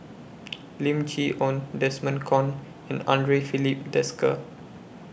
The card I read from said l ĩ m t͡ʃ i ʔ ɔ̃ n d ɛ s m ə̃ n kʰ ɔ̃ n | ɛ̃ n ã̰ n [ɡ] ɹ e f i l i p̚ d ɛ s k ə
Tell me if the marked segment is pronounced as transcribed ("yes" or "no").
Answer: no